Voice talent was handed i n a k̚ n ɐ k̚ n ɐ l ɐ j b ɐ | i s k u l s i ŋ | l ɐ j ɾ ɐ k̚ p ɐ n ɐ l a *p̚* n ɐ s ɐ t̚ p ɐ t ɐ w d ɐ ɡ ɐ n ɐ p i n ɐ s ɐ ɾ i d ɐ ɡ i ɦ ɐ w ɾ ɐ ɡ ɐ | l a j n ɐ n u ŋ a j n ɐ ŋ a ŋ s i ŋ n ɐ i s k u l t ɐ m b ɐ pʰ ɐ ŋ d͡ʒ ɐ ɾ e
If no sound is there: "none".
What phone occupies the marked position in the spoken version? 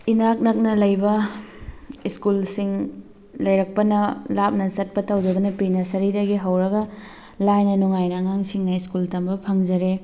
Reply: p̚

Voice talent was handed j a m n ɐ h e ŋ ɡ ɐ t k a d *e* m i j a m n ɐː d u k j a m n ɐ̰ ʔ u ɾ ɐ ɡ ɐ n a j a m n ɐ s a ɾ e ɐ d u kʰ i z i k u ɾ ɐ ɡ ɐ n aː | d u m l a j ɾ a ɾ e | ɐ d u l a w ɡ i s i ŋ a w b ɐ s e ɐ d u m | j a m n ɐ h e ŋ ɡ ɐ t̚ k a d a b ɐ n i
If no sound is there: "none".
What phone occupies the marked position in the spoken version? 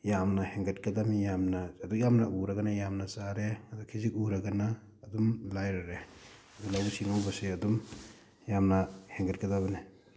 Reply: a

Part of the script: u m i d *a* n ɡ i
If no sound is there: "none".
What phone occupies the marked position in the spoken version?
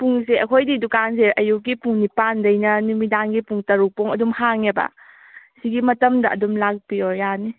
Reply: a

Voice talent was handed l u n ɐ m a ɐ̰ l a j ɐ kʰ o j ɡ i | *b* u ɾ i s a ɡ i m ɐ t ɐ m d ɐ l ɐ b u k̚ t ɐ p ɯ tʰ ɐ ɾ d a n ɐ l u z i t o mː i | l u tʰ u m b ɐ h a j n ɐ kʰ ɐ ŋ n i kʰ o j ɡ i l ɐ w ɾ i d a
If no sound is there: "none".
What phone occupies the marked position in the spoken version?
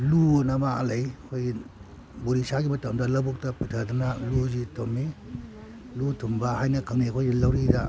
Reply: b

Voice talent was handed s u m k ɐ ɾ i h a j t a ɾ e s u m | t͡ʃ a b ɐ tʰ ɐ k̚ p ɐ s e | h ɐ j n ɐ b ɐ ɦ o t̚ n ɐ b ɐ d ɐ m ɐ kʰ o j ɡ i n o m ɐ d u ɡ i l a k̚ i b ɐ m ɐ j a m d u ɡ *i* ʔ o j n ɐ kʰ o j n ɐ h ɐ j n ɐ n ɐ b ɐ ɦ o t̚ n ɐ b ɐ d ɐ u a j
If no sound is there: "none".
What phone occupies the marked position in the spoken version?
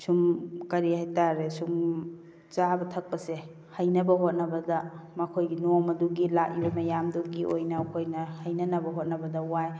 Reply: i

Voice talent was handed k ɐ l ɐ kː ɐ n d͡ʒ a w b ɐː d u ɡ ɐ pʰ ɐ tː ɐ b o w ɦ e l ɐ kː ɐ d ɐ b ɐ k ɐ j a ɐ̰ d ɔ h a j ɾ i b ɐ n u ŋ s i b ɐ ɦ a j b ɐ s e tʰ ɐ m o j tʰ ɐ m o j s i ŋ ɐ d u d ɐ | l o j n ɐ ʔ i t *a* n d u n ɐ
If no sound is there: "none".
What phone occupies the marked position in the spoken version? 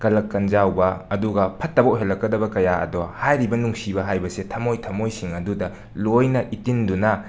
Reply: i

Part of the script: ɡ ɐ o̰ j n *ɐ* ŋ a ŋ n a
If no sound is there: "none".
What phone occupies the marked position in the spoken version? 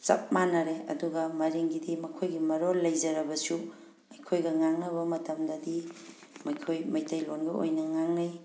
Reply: ɐ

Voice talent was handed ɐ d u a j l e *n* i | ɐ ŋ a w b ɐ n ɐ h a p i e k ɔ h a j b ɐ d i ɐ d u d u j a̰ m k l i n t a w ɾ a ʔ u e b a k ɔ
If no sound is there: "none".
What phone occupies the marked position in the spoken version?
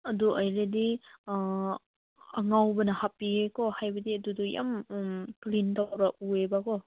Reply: d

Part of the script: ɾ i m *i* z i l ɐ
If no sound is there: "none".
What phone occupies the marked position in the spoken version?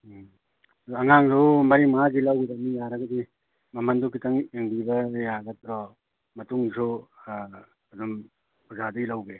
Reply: a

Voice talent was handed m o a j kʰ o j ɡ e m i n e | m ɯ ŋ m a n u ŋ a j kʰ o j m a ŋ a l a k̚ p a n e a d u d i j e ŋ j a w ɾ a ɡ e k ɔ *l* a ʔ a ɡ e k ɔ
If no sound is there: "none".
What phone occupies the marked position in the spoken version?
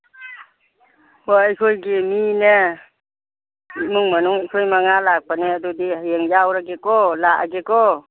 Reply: l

